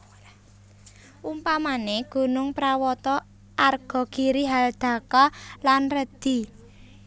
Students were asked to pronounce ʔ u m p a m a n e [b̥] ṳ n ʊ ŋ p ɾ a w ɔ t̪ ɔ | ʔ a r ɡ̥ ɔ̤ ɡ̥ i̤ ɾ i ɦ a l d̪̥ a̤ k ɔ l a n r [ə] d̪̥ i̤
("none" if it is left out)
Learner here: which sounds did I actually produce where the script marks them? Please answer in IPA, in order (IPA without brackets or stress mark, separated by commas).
ɡ̥, ə